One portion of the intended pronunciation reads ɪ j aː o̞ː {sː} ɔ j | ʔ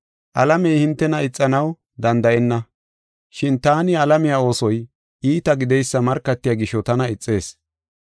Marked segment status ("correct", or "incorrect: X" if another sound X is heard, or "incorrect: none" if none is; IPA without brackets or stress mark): incorrect: s